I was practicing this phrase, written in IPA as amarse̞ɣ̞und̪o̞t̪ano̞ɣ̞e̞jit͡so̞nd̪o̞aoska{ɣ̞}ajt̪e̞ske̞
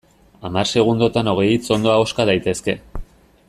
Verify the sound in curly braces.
incorrect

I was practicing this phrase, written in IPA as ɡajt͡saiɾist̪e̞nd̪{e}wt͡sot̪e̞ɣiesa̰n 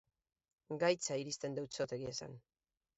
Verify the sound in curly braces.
correct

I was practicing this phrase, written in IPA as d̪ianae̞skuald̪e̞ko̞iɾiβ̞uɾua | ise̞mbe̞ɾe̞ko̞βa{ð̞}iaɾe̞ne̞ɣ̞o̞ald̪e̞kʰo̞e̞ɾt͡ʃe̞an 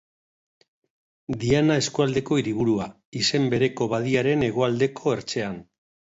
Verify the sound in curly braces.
correct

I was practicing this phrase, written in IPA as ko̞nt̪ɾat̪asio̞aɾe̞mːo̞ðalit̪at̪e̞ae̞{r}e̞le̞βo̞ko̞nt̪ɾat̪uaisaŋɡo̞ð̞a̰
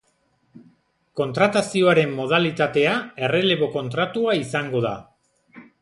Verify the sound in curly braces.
correct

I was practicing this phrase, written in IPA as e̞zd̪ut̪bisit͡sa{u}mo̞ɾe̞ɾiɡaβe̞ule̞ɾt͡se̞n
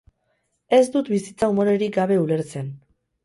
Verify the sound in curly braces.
correct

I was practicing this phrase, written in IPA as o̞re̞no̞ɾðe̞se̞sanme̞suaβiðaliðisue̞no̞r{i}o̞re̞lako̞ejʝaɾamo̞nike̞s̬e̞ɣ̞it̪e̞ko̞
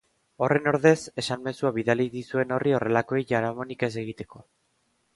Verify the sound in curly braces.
correct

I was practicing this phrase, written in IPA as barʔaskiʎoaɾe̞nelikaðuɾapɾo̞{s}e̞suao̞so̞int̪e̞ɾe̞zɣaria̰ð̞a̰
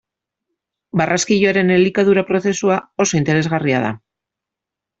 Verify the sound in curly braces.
incorrect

